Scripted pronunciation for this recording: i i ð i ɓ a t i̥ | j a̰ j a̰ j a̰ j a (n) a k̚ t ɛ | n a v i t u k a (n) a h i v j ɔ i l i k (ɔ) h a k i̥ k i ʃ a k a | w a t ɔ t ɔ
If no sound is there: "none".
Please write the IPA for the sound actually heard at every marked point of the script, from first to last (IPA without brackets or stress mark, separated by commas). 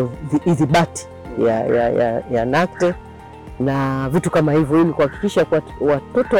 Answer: n, m, u